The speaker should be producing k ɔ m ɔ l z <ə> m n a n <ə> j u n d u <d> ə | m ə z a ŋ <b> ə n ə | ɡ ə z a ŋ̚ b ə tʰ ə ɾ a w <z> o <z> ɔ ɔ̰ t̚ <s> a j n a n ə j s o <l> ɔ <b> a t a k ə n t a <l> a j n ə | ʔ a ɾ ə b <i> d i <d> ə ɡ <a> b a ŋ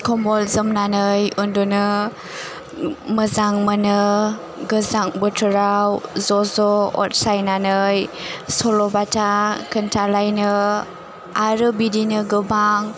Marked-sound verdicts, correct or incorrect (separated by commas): correct, correct, incorrect, incorrect, correct, correct, correct, correct, correct, correct, correct, incorrect, incorrect